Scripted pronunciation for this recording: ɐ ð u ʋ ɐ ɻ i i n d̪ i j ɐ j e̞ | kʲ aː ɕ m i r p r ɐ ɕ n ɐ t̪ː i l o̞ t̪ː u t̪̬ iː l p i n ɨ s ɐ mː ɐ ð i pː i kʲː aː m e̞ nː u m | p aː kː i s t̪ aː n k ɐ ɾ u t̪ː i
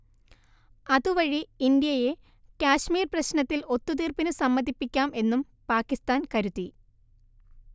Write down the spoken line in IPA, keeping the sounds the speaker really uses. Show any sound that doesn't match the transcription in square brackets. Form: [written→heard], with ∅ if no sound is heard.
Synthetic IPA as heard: ɐ ð u ʋ ɐ ɻ i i n d̪ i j ɐ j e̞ | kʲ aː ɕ m [i→iː] r p r ɐ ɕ n ɐ t̪ː i l o̞ t̪ː u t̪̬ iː [l→r] p i n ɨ s ɐ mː ɐ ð i pː i kʲː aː m e̞ nː u m | p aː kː i s t̪ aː n k ɐ ɾ u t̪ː i